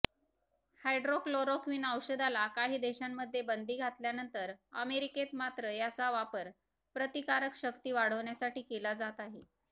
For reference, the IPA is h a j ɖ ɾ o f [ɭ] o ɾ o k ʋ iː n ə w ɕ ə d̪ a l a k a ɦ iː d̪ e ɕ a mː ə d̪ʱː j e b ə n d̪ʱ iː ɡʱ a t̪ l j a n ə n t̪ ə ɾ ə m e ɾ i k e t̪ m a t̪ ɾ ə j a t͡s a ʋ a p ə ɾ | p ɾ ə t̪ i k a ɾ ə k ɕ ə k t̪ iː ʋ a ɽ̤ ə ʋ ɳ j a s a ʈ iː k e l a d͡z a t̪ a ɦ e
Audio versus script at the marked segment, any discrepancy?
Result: yes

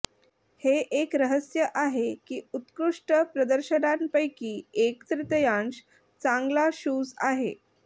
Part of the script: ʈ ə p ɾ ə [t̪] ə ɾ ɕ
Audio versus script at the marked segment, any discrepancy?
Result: yes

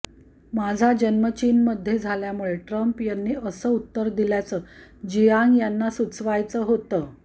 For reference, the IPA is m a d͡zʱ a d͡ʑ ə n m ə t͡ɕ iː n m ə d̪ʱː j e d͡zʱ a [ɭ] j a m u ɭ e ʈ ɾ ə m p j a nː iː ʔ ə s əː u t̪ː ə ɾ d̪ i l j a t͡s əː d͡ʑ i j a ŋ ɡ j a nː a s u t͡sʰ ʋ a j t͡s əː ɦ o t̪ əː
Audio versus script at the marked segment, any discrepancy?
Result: yes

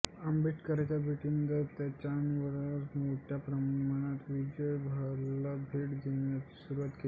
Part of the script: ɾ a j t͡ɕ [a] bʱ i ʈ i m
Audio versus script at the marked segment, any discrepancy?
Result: no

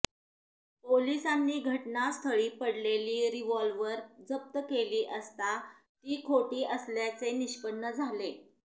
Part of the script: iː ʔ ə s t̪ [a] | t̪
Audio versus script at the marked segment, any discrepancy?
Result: no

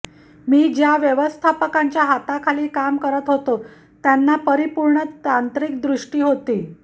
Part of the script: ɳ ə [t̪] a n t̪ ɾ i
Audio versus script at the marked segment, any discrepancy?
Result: no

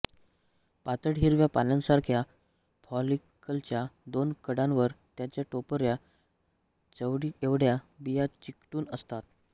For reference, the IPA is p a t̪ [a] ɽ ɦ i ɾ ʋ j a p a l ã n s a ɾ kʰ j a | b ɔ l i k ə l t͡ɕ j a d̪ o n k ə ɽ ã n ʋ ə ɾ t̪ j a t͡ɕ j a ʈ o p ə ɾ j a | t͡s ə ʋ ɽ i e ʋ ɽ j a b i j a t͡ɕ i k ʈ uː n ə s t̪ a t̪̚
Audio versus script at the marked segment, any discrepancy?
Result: yes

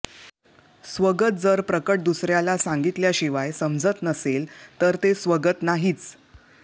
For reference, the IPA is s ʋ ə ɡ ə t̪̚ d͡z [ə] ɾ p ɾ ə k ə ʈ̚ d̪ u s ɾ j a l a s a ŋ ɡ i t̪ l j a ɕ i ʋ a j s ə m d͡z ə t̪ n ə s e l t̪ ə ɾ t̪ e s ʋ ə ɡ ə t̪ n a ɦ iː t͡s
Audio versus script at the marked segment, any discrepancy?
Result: no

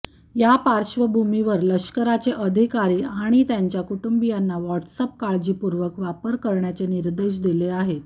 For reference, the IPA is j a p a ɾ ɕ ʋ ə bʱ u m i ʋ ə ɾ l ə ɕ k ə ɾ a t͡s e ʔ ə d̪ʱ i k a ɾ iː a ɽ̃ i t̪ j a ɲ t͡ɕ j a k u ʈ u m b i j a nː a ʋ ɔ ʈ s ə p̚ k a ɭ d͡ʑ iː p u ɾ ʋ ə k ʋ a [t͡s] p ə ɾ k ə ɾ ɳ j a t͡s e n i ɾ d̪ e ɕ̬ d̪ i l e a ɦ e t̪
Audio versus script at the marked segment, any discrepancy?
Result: yes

